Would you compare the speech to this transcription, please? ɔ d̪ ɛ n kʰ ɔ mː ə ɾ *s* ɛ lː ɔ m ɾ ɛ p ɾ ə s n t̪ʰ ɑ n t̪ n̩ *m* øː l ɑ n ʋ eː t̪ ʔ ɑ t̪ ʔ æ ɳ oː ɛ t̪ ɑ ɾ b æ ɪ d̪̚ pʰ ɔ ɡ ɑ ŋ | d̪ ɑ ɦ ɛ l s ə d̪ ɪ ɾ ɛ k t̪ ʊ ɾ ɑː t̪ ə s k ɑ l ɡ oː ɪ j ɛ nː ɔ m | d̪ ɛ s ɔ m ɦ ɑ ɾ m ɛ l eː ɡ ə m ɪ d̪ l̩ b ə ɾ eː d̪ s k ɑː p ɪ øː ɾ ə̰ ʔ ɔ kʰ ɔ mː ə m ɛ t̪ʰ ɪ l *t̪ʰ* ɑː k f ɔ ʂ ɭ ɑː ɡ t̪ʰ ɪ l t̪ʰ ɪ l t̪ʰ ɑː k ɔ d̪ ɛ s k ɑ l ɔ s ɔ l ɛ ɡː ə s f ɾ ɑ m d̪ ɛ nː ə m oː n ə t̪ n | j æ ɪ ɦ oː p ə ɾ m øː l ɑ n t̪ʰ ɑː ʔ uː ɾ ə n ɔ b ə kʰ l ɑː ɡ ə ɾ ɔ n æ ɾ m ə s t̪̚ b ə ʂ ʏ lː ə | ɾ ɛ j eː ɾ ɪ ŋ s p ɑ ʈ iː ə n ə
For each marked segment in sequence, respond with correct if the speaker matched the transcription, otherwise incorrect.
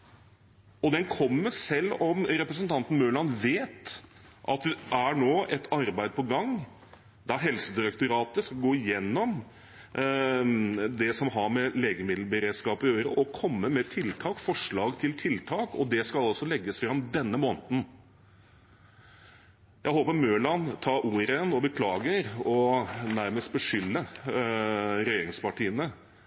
correct, correct, correct

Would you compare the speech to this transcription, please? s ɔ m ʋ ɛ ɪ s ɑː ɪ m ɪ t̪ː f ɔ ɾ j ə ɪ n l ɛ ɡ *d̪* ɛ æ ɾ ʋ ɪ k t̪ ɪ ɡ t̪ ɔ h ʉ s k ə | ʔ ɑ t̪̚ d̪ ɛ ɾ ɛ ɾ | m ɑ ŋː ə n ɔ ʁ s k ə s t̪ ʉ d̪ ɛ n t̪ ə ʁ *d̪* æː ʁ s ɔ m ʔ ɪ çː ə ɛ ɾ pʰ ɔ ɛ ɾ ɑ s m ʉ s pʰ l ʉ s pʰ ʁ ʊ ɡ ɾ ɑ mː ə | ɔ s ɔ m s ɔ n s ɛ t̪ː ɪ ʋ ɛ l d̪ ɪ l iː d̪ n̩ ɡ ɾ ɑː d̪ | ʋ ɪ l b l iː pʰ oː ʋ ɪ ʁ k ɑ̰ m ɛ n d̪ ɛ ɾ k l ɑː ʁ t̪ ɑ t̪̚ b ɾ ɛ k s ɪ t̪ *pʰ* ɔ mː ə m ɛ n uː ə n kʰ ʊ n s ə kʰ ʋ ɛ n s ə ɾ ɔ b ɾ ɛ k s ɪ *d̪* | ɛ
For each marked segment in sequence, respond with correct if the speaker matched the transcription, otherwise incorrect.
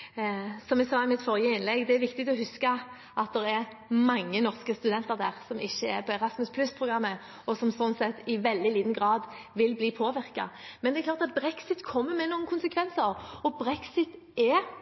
correct, correct, incorrect, incorrect

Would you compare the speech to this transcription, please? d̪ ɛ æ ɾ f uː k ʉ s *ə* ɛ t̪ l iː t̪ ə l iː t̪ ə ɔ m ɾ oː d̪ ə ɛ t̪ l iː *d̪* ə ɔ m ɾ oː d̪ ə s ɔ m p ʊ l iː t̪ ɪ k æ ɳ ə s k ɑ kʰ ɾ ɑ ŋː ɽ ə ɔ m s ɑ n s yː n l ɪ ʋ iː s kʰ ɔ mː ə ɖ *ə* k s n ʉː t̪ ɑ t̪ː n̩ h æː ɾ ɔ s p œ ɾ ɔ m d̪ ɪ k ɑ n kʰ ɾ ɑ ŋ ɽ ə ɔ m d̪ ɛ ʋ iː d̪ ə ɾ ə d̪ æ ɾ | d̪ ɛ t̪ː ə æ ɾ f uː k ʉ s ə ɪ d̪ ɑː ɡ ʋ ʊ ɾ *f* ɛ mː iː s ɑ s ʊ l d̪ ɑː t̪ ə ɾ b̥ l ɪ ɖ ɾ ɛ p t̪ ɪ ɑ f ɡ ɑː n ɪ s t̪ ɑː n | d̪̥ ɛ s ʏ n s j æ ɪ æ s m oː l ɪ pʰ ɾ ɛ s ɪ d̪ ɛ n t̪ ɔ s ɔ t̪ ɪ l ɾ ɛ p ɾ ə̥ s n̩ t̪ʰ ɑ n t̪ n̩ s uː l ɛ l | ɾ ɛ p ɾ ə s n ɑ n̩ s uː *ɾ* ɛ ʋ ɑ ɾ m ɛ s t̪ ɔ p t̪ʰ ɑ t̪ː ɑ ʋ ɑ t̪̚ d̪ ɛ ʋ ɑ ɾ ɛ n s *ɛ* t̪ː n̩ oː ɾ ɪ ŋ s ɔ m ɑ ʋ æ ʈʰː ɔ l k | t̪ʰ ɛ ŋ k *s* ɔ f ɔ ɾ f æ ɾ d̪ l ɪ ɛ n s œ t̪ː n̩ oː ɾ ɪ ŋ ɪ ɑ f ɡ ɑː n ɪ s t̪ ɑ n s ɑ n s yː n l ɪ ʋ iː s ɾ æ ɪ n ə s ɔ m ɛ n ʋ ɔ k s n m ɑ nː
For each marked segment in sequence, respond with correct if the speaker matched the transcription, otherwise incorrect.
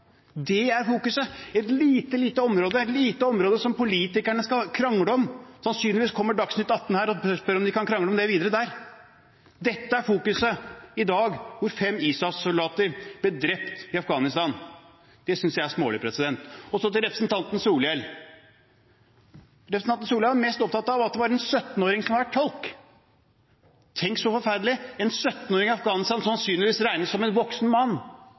correct, incorrect, incorrect, correct, incorrect, incorrect, correct

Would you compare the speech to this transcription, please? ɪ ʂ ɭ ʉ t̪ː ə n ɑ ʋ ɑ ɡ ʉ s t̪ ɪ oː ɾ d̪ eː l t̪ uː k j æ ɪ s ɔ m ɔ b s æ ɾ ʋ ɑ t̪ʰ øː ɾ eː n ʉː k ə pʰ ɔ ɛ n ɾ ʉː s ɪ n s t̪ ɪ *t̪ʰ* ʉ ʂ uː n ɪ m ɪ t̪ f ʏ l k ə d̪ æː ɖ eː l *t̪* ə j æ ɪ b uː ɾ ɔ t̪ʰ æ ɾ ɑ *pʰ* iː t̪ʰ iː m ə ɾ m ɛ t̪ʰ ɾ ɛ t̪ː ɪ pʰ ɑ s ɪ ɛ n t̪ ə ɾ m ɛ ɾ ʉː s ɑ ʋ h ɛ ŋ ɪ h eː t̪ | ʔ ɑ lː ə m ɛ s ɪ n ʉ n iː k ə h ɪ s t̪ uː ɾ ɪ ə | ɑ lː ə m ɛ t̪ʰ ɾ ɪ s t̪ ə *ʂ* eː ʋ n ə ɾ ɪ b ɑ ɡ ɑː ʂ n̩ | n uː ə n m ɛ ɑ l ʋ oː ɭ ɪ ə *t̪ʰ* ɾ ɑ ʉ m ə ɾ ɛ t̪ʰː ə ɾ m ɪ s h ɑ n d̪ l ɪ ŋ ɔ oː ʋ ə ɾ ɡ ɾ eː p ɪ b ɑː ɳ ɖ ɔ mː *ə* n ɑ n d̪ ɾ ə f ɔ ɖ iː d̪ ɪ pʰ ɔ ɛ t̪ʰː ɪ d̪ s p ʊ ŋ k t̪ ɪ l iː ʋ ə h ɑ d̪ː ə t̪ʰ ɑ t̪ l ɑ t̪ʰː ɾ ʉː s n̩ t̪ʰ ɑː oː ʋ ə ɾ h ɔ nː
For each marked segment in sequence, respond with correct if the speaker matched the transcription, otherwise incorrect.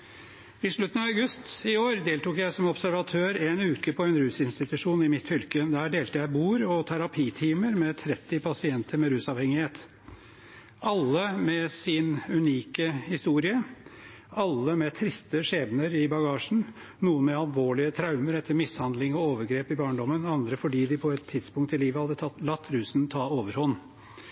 incorrect, correct, correct, correct, correct, correct

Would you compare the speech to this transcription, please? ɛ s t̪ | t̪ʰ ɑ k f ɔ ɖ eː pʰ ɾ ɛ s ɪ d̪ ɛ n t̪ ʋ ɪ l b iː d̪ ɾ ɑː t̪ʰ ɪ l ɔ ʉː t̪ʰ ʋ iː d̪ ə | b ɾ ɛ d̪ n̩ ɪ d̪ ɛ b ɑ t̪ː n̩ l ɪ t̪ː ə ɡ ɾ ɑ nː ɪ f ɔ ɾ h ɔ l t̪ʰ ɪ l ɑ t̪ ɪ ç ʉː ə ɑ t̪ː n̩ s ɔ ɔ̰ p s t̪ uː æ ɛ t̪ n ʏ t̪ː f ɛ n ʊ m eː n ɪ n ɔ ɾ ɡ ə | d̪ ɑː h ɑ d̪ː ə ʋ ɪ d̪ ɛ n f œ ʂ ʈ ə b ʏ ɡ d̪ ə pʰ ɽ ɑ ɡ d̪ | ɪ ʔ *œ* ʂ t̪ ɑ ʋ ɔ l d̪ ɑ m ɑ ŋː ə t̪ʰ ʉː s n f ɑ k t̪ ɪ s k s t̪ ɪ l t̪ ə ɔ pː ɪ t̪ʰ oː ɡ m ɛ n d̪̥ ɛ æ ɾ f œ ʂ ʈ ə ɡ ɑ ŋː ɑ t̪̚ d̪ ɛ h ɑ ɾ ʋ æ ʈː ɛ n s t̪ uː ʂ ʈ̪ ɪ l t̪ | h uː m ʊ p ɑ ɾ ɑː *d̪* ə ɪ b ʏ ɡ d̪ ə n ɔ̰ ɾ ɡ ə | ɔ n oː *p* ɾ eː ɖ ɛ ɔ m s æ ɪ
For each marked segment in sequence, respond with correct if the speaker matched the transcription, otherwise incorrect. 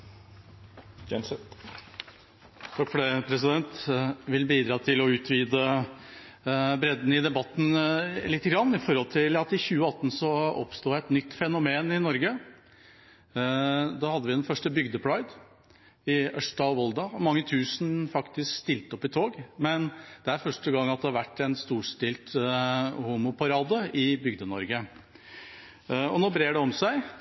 correct, correct, incorrect

